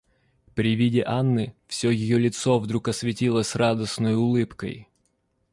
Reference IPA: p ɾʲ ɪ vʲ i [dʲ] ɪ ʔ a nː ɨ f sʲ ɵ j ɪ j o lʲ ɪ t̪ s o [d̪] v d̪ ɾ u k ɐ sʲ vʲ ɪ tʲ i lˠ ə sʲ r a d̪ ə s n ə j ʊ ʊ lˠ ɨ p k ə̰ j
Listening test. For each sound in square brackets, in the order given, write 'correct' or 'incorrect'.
correct, incorrect

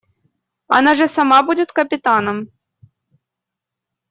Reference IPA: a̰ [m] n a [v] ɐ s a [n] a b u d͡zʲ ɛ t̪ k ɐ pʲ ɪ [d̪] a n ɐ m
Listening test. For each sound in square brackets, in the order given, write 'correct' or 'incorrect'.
incorrect, incorrect, incorrect, incorrect

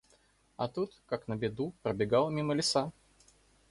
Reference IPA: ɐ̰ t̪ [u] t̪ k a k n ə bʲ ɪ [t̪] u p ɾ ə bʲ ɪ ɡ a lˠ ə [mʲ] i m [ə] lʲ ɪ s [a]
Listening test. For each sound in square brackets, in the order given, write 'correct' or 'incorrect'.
correct, incorrect, correct, correct, correct

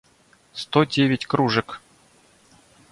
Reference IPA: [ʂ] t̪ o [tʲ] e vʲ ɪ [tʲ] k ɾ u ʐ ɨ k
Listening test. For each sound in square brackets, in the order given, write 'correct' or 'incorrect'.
incorrect, incorrect, correct

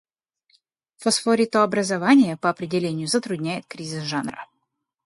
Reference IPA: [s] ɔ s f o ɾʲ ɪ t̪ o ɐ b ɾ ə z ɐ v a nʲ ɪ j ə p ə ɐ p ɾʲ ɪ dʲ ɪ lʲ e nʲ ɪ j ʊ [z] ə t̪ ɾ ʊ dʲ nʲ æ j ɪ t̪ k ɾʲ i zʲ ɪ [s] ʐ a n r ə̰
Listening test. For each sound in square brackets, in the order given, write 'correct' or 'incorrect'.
incorrect, correct, correct

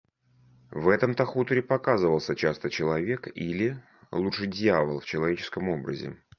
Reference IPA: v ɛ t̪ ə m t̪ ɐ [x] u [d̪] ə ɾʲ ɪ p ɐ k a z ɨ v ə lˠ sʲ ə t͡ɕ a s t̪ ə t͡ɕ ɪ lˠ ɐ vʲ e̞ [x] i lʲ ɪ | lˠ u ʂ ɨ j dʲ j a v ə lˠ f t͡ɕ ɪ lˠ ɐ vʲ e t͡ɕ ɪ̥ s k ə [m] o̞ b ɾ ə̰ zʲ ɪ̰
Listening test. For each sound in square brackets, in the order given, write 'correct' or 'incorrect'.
correct, incorrect, incorrect, correct

